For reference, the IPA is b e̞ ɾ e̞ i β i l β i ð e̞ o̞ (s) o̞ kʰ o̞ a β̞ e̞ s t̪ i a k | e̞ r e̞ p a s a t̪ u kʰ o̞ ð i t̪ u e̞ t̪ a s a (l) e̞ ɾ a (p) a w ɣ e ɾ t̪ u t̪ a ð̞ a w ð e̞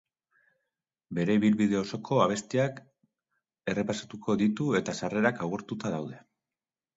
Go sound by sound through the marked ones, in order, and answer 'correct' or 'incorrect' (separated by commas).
correct, incorrect, incorrect